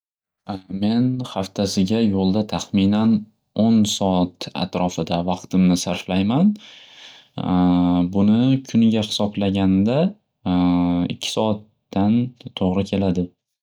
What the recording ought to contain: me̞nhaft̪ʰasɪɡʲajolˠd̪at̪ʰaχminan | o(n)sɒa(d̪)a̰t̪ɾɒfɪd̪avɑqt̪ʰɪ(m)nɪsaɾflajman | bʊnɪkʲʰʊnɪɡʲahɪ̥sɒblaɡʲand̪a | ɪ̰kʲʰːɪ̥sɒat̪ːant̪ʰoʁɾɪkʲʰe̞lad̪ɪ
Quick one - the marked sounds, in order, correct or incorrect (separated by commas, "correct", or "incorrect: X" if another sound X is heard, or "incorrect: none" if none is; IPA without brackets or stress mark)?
correct, incorrect: t̪, correct